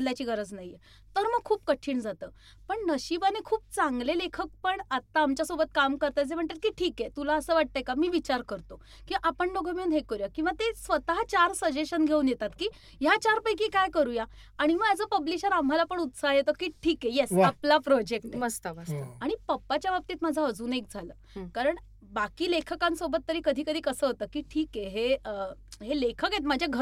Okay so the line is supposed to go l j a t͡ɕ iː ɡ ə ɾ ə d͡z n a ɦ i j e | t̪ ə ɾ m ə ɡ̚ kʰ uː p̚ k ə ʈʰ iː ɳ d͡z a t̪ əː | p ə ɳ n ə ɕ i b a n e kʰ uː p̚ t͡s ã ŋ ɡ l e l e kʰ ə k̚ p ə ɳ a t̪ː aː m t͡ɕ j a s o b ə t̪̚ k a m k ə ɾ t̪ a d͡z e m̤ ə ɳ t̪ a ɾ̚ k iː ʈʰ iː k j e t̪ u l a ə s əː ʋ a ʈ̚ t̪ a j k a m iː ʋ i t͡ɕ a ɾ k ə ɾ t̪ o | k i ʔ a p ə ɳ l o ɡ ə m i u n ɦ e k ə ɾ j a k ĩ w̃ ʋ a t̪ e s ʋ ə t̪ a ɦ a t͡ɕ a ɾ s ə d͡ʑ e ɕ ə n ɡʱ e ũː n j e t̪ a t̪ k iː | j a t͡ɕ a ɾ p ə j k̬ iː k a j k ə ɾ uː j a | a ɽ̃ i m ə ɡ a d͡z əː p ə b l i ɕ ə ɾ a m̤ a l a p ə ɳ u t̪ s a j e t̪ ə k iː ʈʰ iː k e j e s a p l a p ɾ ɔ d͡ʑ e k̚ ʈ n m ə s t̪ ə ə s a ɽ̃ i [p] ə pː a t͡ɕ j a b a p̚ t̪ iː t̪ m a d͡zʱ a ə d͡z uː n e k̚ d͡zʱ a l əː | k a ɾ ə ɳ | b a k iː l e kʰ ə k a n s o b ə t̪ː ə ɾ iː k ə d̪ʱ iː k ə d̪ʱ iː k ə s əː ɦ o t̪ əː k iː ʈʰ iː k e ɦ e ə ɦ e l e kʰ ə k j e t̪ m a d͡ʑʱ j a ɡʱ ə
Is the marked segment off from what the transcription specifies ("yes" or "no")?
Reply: no